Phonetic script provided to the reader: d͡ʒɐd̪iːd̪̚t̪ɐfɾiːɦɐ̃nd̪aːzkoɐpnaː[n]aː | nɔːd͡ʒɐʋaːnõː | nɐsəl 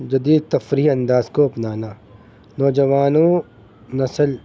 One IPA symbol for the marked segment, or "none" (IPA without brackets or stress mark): n